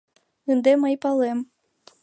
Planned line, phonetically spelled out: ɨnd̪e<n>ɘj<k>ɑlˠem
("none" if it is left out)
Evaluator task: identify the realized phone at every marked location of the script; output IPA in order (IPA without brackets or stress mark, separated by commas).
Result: m, p